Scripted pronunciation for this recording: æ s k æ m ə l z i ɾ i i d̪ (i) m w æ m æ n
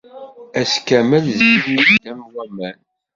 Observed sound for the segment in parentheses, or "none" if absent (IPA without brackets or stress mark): æ